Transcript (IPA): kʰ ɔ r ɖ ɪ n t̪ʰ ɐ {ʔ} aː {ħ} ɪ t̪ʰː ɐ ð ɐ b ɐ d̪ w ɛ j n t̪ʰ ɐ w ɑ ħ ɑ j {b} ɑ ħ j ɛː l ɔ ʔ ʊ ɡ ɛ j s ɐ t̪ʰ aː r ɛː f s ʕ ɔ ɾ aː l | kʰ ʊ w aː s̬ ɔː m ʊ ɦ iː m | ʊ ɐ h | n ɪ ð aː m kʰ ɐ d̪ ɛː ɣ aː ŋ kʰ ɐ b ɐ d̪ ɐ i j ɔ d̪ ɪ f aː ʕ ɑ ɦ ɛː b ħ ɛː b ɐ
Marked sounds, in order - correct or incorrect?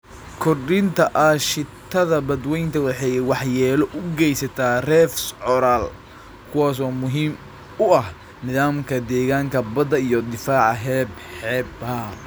correct, incorrect, incorrect

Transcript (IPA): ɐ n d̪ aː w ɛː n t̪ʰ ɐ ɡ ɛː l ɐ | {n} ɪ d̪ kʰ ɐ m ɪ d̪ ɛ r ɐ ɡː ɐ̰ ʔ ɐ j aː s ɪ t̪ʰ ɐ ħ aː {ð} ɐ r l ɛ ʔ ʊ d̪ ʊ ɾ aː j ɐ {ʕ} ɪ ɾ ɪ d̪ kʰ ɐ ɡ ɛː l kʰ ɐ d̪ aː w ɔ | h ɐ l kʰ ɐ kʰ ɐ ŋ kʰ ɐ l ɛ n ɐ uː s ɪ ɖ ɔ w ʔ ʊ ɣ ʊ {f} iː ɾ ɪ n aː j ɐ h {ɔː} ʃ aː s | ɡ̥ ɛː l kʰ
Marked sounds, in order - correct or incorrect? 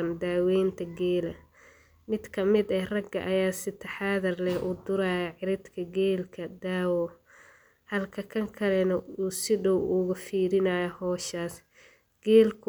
incorrect, correct, correct, correct, correct

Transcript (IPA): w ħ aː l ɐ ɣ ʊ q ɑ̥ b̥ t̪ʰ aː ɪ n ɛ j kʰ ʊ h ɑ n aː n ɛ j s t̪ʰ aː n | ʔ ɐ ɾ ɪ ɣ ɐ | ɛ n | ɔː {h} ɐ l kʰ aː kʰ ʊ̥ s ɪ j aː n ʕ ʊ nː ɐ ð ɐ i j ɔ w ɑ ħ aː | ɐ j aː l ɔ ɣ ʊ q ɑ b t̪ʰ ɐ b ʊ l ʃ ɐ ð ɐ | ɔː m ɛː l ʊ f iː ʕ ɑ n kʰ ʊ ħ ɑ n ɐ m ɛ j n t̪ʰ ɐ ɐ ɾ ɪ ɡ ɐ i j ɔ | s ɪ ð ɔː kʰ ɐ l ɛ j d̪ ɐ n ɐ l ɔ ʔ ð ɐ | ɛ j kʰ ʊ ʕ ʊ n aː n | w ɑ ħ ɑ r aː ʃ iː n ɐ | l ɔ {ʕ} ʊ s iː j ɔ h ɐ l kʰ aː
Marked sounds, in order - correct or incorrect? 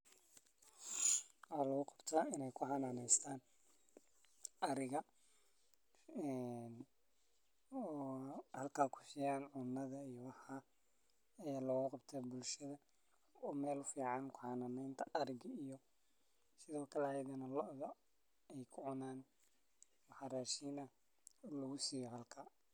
correct, incorrect

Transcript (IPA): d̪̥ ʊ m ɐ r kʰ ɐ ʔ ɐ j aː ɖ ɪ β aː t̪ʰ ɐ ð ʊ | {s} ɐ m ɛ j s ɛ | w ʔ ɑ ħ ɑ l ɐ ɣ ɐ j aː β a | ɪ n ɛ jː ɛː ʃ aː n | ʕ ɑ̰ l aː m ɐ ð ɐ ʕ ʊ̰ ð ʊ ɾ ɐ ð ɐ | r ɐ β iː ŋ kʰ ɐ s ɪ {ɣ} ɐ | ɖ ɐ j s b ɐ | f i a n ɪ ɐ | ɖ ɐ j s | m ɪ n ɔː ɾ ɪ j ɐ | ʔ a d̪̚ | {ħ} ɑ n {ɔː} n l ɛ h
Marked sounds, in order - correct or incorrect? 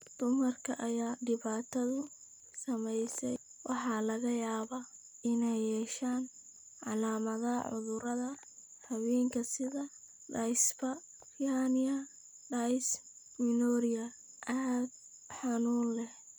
correct, incorrect, correct, incorrect

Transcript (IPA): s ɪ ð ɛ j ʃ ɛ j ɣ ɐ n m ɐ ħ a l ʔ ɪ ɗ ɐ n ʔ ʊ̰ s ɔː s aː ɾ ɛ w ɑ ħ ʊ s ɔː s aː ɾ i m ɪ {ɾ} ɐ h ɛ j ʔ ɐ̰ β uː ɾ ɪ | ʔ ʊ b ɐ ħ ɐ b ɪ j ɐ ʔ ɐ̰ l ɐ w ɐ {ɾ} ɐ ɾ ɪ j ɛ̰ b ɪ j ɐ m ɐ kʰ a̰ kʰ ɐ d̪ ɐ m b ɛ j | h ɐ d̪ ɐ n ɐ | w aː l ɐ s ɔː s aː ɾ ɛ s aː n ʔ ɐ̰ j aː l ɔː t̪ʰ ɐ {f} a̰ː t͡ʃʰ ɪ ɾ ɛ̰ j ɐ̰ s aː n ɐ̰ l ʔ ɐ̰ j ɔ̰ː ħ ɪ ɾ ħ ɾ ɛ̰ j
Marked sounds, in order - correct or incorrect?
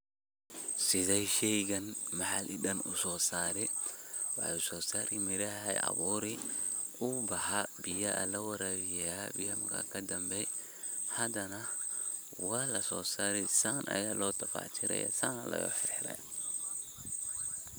correct, correct, correct

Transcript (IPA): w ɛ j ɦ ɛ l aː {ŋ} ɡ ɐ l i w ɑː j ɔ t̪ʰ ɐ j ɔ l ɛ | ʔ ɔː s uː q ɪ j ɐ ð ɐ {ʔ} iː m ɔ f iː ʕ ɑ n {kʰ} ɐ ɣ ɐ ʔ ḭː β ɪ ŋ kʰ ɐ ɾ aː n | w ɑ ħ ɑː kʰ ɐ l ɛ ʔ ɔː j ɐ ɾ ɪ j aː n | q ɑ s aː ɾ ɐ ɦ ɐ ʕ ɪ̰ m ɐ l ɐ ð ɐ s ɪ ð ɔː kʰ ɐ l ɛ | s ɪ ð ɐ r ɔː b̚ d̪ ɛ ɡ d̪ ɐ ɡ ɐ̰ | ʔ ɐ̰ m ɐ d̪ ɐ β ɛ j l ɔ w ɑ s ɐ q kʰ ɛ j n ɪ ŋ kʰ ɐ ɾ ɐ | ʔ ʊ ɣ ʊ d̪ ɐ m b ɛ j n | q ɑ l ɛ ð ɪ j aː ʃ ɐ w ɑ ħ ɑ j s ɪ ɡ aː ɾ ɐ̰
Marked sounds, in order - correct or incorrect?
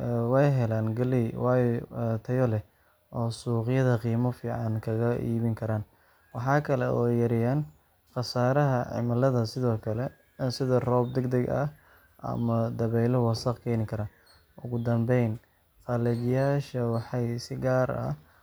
incorrect, incorrect, correct

